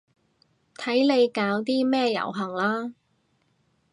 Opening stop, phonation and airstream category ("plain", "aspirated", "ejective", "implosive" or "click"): aspirated